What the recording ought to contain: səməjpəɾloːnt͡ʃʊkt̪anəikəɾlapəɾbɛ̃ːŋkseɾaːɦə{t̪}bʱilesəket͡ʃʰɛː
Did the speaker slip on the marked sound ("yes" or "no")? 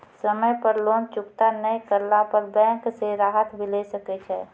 no